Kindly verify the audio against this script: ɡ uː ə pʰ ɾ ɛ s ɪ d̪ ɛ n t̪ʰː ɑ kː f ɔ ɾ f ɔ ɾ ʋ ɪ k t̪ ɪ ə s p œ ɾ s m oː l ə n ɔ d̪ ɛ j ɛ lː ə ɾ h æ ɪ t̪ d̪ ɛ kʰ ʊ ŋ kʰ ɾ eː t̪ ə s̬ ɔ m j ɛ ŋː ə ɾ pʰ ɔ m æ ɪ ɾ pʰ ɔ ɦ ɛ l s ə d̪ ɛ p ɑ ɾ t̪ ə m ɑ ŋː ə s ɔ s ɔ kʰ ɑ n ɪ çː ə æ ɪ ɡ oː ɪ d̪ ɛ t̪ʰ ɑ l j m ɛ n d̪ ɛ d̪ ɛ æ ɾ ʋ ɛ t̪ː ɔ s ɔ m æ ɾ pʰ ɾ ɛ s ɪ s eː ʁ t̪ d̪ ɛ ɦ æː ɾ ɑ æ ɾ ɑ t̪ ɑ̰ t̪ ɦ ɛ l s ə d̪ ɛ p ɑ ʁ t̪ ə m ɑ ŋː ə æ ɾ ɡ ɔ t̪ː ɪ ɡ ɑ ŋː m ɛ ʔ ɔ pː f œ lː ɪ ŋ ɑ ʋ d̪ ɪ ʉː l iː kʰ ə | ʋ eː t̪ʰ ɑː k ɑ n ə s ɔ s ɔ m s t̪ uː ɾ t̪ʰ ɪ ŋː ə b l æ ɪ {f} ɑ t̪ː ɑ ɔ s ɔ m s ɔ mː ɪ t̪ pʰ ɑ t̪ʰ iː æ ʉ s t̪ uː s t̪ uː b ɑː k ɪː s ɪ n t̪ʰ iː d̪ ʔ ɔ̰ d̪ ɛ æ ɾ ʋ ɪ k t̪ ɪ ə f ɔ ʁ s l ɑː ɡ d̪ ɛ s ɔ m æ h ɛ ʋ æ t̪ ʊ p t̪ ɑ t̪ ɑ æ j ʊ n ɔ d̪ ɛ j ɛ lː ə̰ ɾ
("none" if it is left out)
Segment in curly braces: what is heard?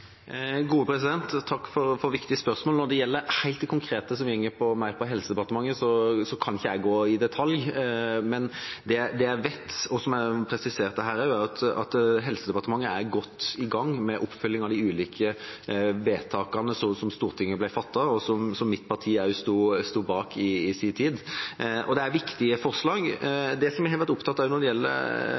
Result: f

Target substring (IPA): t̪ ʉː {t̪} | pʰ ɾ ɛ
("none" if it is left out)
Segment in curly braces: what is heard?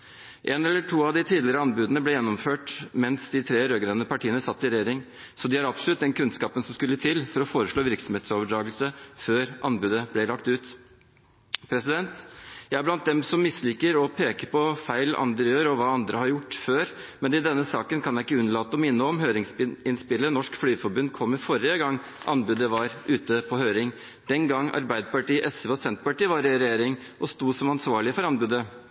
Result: t̪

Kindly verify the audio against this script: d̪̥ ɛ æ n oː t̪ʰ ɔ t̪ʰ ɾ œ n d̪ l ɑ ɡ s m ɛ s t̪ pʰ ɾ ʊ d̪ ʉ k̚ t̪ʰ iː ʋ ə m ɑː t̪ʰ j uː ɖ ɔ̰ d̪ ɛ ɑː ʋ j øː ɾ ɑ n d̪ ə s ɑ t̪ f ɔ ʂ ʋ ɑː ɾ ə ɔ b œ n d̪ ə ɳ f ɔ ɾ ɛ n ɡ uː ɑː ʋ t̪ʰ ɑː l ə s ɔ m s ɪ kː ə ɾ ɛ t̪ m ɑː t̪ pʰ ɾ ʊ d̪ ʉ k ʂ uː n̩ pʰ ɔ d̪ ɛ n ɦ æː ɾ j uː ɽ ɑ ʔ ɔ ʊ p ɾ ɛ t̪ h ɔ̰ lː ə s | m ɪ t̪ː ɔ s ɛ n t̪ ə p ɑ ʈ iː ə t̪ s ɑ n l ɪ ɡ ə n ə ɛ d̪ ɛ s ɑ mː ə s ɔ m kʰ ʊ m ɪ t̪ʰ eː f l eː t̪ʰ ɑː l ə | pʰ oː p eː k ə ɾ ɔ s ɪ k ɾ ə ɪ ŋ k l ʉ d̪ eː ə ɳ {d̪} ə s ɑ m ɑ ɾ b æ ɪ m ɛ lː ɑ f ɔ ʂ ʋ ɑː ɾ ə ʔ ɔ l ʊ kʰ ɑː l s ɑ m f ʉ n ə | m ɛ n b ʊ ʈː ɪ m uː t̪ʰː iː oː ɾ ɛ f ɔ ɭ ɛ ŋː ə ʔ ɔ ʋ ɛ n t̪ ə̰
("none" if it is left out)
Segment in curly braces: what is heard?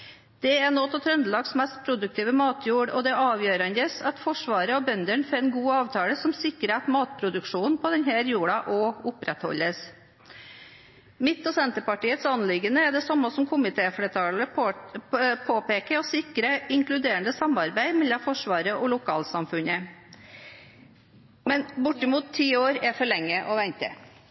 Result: d̪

